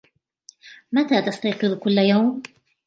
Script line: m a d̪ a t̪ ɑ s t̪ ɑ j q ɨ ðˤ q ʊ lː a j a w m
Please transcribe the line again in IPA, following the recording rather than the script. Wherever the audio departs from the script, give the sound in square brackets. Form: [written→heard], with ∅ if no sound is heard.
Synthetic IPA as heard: m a [d̪→t̪] a t̪ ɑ s t̪ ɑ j q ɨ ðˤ [q→k] ʊ lː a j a w m